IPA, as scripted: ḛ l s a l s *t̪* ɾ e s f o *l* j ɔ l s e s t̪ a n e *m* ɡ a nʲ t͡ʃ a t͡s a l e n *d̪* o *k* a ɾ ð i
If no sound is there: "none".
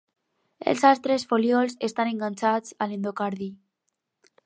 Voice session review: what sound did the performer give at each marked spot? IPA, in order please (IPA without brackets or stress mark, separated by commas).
t̪, l, ŋ, d̪, k